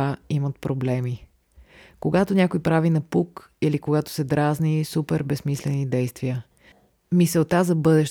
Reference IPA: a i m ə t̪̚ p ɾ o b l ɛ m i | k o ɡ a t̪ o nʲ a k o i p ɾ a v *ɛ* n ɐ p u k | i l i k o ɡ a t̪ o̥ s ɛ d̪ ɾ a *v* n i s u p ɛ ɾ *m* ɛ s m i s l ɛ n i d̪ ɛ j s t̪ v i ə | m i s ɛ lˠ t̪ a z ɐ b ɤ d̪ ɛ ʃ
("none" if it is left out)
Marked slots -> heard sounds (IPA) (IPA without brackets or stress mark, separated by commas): i, z, b